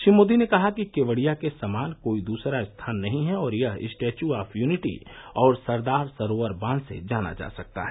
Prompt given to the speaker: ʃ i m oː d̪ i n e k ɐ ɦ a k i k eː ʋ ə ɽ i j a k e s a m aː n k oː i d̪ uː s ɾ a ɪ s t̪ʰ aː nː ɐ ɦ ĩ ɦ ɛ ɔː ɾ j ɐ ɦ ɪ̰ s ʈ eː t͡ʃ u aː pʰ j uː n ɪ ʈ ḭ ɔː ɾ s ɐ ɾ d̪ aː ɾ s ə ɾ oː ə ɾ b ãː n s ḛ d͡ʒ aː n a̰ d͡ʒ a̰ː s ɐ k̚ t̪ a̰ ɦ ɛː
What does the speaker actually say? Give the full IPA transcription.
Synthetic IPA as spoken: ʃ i m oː d̪ i n e k ɐ ɦ a k i k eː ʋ ə ɽ i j a k e s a m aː n k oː i d̪ uː s ɾ a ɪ s t̪ʰ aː nː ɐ ɦ ĩ ɦ ɛ ɔː ɾ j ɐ ɦ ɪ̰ s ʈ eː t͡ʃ u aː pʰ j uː n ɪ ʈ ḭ ɔː ɾ s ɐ ɾ d̪ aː ɾ s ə ɾ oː ə ɾ b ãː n s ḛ d͡ʒ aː n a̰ d͡ʒ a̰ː s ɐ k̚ t̪ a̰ ɦ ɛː

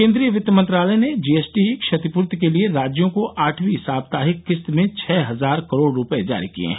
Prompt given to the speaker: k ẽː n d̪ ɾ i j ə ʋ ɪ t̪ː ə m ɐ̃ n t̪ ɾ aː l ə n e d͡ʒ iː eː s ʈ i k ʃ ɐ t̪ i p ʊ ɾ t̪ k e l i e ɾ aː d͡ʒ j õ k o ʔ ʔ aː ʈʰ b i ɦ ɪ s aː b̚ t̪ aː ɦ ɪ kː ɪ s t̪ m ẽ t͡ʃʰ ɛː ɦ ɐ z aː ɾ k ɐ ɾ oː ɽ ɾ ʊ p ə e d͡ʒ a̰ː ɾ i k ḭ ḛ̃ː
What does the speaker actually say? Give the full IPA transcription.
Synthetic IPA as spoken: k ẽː n d̪ ɾ i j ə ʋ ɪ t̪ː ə m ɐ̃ n t̪ ɾ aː l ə n e d͡ʒ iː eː s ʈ i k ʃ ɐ t̪ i p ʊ ɾ t̪ k e l i e ɾ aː d͡ʒ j õ k o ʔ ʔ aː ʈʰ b i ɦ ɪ s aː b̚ t̪ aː ɦ ɪ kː ɪ s t̪ m ẽ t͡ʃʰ ɛː ɦ ɐ z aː ɾ k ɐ ɾ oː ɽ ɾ ʊ p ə e d͡ʒ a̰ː ɾ i k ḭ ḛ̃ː

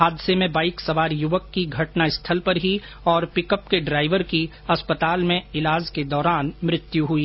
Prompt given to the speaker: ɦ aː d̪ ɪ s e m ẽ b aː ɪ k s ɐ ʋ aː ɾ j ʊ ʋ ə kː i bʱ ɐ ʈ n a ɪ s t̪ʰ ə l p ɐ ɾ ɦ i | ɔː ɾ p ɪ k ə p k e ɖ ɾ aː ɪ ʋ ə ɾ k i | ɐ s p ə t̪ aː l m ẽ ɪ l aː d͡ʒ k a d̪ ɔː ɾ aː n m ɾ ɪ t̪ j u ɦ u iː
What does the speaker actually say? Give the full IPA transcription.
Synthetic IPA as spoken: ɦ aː d̪ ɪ s e m ẽ b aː ɪ k s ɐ ʋ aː ɾ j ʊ ʋ ə kː i ɡʱ ɐ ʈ n a ɪ s t̪ʰ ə l p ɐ ɾ ɦ i | ɔː ɾ p ɪ k ə p k e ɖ ɾ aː ɪ ʋ ə ɾ k i | ɐ s p ə t̪ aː l m ẽ ɪ l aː d͡ʒ k e d̪ ɔː ɾ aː n m ɾ ɪ t̪ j u ɦ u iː

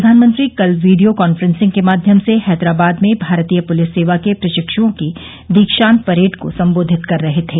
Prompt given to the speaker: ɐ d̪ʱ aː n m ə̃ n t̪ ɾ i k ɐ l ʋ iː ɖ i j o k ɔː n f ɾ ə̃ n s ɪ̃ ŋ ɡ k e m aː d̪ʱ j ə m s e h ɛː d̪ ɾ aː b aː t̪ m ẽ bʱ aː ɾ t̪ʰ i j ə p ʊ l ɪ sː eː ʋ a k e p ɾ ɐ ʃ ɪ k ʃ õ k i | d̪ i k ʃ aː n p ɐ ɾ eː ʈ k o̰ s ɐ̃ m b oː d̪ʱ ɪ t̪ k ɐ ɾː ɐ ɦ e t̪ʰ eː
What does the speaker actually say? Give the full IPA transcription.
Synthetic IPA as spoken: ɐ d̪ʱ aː n m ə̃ n t̪ ɾ i k ɐ l ʋ iː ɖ i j o k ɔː n f ɾ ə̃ n s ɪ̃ ŋ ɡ k e m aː d̪ʱ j ə m s e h ɛː d̪ ɾ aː b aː d̪ m ẽ bʱ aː ɾ t̪ i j ə p ʊ l ɪ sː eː ʋ a k e p ɾ ɐ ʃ ɪ k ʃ õ k i | d̪ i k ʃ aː n p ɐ ɾ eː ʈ k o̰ s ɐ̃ m b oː d̪ʱ ɪ t̪ k ɐ ɾː ɐ ɦ e t̪ʰ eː

